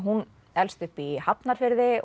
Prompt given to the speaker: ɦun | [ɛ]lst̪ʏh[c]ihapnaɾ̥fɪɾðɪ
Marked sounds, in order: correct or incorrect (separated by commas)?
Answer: correct, incorrect